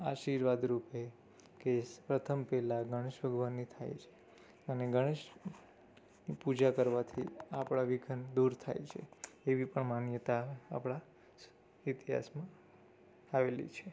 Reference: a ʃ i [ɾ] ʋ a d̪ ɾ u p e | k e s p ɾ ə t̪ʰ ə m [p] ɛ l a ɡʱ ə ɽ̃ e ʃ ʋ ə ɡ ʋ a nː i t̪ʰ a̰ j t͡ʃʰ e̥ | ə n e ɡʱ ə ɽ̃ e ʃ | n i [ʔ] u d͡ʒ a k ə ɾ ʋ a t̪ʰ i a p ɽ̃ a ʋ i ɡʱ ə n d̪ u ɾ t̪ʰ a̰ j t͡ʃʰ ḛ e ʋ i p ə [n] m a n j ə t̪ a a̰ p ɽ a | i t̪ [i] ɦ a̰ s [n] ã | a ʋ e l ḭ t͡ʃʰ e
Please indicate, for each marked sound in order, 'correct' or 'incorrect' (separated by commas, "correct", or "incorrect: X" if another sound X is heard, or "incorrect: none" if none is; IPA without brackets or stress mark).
correct, correct, incorrect: p, incorrect: ɳ, correct, incorrect: m